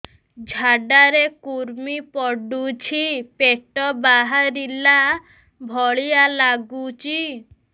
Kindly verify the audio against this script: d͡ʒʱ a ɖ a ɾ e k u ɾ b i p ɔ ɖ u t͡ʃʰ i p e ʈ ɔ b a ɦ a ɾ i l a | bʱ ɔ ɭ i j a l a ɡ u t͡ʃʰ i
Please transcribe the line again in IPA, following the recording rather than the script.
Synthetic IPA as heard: d͡ʒʱ a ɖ a ɾ e k u ɾ m i p ɔ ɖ u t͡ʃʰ i p e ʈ ɔ b a ɦ a ɾ i l a | bʱ ɔ ɭ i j a l a ɡ u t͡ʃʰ i